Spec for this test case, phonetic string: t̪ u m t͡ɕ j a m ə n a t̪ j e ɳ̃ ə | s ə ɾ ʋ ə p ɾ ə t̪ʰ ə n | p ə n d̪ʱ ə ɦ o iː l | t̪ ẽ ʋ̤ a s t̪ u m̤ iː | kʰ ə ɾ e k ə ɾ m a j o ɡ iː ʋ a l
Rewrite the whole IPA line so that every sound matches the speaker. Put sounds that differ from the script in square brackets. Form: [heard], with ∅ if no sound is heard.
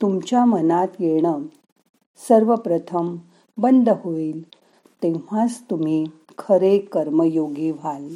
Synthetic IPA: t̪ u m t͡ɕ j a m ə n a t̪ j e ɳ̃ ə | s ə ɾ ʋ ə p ɾ ə t̪ʰ ə [m] | [b] ə n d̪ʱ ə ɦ o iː l | t̪ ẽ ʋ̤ a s t̪ u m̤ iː | kʰ ə ɾ e k ə ɾ m [ə] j o ɡ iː ʋ a l